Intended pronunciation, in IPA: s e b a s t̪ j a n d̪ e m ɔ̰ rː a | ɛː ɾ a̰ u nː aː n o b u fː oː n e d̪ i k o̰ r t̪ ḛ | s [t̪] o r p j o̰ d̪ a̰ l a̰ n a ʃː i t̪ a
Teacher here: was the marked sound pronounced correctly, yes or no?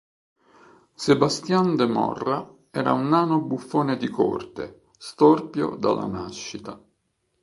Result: yes